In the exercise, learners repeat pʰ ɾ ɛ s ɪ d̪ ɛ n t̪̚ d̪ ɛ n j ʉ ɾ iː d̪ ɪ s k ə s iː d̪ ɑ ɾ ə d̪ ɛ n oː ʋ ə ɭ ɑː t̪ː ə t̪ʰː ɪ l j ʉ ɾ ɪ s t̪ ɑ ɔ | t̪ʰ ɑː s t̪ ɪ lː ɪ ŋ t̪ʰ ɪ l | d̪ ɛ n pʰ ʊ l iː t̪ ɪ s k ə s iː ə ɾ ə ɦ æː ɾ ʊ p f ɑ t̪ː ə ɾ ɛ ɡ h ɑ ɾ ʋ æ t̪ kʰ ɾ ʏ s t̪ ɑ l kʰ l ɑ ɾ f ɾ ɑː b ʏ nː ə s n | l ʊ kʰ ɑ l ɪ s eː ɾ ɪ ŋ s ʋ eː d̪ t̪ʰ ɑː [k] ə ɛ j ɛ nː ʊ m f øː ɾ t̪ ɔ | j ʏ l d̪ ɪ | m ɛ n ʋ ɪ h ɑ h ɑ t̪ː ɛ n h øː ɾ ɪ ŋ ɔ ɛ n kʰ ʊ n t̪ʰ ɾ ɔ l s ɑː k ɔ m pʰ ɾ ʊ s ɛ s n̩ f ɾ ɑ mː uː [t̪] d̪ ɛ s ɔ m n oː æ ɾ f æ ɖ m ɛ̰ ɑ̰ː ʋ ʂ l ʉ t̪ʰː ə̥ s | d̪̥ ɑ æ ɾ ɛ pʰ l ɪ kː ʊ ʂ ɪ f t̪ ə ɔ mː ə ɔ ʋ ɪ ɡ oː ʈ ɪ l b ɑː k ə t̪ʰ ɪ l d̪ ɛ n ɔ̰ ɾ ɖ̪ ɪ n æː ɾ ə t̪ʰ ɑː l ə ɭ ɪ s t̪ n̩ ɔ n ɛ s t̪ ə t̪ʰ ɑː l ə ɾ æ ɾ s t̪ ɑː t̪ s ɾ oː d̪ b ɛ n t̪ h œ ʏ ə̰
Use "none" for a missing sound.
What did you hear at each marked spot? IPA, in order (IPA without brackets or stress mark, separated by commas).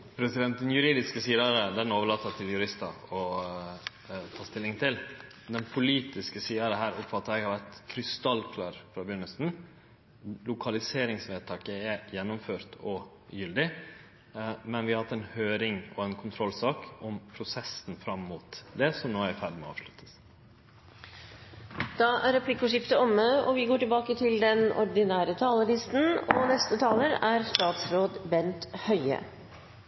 k, t̪